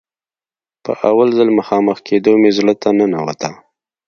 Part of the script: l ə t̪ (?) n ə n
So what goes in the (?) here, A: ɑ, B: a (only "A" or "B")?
B